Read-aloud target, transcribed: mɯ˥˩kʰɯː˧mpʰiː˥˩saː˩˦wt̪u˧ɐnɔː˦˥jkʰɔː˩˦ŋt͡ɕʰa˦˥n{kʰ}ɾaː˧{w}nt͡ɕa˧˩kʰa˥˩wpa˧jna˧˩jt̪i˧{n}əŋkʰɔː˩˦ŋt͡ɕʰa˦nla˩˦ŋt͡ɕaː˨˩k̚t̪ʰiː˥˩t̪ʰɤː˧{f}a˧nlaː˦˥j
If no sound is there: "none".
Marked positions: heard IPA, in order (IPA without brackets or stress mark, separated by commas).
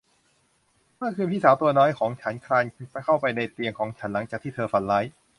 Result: kʰ, none, none, f